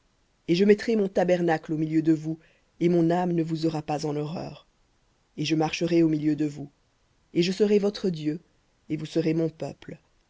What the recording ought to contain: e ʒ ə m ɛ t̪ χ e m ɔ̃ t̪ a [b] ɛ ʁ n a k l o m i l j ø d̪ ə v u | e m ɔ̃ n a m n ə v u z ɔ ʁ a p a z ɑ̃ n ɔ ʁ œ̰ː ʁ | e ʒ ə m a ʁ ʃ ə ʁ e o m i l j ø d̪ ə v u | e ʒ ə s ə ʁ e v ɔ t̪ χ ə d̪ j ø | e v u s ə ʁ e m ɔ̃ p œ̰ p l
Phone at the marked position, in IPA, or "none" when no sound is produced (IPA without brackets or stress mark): b